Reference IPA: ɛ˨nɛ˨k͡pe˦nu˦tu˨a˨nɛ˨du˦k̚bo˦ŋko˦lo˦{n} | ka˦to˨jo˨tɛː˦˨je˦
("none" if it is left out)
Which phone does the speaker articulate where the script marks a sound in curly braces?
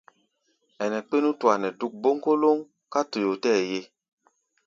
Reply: ŋ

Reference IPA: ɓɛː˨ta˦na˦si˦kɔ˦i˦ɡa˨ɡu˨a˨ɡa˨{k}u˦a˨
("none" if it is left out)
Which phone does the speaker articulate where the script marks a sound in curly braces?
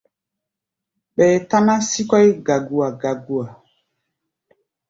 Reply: ɡ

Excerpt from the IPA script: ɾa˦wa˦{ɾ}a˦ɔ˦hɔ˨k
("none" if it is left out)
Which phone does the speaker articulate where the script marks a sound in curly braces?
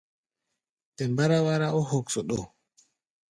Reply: ɾ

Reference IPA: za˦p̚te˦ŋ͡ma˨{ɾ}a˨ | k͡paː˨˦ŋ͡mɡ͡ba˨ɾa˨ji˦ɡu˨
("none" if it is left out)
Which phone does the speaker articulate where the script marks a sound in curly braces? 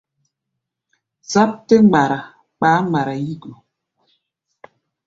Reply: ɾ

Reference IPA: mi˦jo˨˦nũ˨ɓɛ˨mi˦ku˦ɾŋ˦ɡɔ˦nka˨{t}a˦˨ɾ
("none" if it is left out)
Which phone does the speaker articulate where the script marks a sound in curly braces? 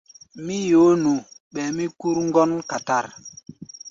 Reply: t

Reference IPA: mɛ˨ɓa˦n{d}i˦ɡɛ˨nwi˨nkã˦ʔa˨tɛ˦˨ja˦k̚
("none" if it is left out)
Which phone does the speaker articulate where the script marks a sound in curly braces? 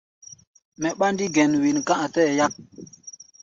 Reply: d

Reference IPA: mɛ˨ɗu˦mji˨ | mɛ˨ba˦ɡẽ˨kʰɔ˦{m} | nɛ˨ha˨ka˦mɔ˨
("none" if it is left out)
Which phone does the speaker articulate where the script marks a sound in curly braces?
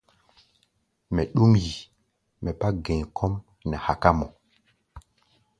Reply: m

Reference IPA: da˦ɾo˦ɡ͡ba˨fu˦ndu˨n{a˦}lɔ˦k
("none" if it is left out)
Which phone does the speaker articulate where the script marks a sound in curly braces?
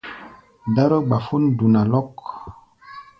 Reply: a˨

